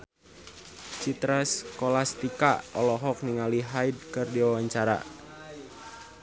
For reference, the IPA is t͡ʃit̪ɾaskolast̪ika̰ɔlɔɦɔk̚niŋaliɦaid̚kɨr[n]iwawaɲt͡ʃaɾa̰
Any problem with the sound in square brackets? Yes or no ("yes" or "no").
yes